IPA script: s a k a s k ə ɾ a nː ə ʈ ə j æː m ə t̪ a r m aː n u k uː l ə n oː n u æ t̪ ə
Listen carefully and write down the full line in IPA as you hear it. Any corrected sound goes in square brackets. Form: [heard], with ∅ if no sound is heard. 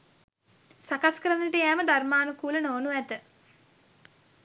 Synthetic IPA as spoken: s a k a s k ə ɾ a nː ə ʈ ə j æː m ə [d̪] a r m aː n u k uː l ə n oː n u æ t̪ ə

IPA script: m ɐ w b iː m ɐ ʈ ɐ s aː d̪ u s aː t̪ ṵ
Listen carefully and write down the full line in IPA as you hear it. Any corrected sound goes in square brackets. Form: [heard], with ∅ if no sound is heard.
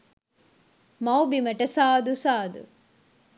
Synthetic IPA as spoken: m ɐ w b [i] m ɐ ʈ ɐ s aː d̪ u s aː [d̪] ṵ

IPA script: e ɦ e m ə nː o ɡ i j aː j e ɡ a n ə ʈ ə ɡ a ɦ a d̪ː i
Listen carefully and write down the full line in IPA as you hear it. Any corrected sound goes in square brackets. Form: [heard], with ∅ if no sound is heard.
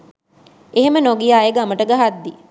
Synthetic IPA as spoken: e ɦ e m ə [n] o ɡ i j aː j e ɡ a [m] ə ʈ ə ɡ a ɦ a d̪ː i

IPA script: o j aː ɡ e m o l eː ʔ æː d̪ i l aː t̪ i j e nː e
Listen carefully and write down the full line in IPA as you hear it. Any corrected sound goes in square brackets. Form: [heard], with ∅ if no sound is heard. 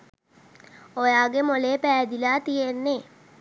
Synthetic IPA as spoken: o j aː ɡ e m o l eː [p] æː d̪ i l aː t̪ i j e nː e

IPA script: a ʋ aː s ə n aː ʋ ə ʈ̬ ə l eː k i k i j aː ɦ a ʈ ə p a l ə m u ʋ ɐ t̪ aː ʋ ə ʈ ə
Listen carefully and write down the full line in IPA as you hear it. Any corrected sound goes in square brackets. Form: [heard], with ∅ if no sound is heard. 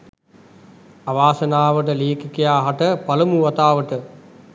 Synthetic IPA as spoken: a ʋ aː s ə n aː ʋ ə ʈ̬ ə l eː k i k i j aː ɦ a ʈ ə p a l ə m u ʋ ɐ t̪ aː ʋ ə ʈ ə

